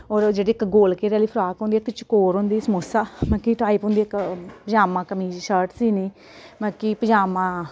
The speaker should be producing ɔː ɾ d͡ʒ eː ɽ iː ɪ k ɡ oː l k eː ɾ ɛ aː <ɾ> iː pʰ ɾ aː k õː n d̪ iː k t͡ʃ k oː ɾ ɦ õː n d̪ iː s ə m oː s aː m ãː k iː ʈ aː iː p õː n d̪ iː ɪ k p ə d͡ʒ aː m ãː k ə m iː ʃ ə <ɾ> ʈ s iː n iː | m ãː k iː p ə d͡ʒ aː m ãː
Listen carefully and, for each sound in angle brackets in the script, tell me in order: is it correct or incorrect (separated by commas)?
incorrect, correct